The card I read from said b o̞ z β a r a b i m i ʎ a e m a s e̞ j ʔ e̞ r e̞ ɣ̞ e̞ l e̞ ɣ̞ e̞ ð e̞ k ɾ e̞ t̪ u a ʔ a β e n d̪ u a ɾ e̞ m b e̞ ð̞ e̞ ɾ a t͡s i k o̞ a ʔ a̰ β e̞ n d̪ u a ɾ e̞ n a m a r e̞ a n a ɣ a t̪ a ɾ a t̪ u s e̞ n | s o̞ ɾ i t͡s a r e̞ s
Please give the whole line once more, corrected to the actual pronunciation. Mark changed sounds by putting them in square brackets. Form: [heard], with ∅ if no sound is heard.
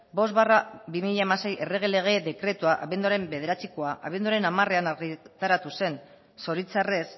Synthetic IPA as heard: b o̞ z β a r a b i m i ʎ a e m a s e̞ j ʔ e̞ r e̞ ɣ̞ e̞ l e̞ ɣ̞ e̞ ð e̞ k ɾ e̞ t̪ u a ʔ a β e n d̪ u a ɾ e̞ m b e̞ ð̞ e̞ ɾ a t͡s i k o̞ a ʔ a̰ β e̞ n d̪ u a ɾ e̞ n a m a r e̞ a n a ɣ [i] t̪ a ɾ a t̪ u s e̞ n | s o̞ ɾ i t͡s a r e̞ s